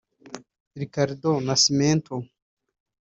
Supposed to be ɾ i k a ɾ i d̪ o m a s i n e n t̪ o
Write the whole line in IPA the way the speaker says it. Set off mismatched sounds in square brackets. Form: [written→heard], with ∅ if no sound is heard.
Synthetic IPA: ɾ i k a ɾ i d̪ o [m→n] a s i [n→m] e n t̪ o